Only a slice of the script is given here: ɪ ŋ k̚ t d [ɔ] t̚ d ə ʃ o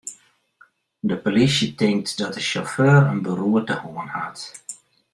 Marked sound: correct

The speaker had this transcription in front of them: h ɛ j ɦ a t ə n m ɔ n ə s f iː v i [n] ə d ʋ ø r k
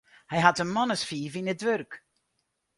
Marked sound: correct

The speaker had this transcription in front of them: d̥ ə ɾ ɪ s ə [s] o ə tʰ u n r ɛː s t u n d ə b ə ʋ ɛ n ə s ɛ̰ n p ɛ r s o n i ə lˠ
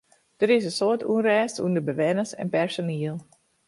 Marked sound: correct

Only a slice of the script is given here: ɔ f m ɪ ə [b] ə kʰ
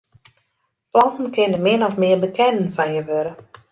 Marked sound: correct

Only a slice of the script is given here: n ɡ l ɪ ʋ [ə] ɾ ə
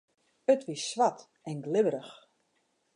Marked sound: correct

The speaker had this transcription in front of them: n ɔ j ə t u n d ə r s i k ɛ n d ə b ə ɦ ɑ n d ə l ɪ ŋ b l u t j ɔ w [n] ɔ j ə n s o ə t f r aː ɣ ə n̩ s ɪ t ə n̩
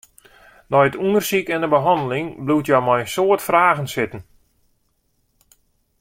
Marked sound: incorrect: m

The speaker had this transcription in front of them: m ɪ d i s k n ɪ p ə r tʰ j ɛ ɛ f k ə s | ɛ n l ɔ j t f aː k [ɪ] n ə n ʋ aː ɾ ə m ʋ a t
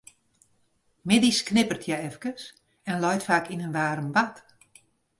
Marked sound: incorrect: i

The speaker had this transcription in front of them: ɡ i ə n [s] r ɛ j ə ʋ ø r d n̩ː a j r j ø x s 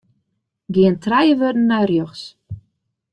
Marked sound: incorrect: t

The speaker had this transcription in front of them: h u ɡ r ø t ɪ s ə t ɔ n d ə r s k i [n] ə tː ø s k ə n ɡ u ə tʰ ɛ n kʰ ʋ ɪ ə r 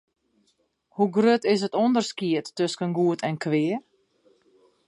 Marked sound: incorrect: none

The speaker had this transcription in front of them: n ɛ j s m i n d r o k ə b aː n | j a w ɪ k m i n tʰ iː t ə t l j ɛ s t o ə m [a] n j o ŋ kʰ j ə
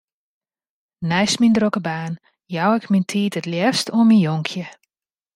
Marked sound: incorrect: i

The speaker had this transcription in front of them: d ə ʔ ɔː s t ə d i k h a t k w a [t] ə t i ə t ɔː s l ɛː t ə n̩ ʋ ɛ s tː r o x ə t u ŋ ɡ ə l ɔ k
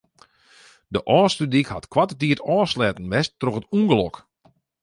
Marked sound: correct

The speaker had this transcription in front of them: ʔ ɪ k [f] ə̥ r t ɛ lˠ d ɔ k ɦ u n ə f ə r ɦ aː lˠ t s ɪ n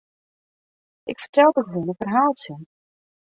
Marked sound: correct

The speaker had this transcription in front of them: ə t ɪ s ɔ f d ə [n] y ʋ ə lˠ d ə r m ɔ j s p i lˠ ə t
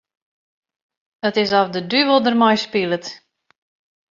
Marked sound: incorrect: d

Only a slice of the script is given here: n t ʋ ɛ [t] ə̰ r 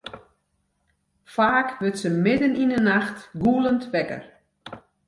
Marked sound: incorrect: k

